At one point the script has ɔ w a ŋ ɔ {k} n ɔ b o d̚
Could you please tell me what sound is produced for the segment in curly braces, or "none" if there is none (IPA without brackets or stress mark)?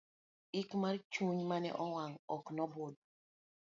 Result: k